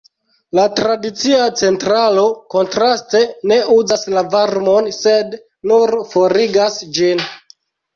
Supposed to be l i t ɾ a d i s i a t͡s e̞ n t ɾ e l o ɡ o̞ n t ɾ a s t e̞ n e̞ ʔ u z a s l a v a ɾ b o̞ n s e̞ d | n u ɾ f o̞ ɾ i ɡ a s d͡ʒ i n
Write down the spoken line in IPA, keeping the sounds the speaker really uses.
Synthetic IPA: l a t ɾ a d i t͡s i a t͡s e̞ n t ɾ a l o k o̞ n t ɾ a s t e̞ n e̞ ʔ u z a s l a v a ɾ m o̞ n s e̞ d | n u ɾ f o̞ ɾ i ɡ a s d͡ʒ i n